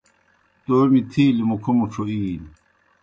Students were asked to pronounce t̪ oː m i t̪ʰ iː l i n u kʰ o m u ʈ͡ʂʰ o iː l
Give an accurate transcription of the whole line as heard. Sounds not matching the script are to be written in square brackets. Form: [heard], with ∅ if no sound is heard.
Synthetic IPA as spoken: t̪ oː m i t̪ʰ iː l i [m] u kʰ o m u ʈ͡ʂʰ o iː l